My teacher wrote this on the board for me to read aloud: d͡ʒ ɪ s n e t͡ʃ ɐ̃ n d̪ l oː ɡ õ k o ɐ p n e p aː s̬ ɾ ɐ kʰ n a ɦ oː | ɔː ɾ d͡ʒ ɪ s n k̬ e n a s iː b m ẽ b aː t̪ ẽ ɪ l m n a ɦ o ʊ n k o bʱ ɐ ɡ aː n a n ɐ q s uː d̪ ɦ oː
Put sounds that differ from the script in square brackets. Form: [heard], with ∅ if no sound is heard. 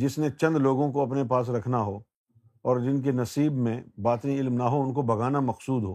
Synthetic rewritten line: d͡ʒ ɪ s n e t͡ʃ ɐ̃ n d̪ l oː ɡ õ k o ɐ p n e p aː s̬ ɾ ɐ kʰ n a ɦ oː | ɔː ɾ d͡ʒ ɪ [∅] n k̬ e n [ɐ] s iː b m ẽ b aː t̪ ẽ ɪ l m n a ɦ o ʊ n k o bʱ ɐ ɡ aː n a [m] ɐ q s uː d̪ ɦ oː